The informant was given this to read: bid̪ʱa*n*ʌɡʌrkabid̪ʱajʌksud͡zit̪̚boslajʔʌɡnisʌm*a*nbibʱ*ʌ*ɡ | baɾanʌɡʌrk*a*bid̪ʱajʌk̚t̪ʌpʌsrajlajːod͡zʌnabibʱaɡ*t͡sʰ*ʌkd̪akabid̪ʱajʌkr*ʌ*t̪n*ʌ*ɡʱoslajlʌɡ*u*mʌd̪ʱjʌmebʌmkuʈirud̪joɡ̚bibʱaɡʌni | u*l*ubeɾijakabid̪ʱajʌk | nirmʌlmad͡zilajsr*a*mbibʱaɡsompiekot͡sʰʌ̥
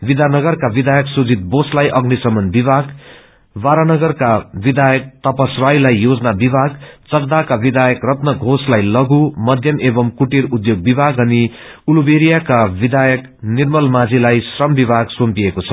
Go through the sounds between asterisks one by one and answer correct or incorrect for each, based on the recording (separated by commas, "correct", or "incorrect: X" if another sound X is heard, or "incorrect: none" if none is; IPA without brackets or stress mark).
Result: correct, incorrect: ʌ, incorrect: a, correct, incorrect: t͡s, correct, correct, correct, correct, incorrect: ʌ